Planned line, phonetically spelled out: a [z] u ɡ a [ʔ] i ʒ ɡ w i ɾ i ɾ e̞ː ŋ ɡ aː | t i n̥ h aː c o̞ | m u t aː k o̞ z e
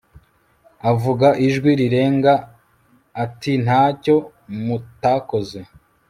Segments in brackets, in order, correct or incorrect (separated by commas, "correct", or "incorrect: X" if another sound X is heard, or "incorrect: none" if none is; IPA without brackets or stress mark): incorrect: v, correct